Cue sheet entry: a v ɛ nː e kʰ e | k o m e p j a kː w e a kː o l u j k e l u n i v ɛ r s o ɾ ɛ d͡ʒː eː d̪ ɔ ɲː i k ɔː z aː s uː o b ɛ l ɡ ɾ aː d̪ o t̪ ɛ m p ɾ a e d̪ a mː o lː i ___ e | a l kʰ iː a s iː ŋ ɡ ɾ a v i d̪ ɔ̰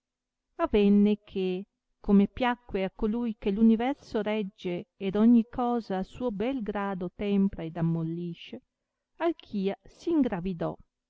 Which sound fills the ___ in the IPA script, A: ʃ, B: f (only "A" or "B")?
A